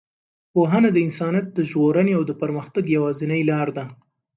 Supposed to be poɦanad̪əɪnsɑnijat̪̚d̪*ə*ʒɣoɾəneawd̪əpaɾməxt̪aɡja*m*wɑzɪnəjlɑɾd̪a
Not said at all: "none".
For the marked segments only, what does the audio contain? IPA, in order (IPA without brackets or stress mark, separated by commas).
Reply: ə, none